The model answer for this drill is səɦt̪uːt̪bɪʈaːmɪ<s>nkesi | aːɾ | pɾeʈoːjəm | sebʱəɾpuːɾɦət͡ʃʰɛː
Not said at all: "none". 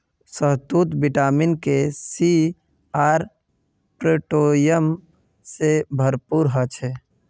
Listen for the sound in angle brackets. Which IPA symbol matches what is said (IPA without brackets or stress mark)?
none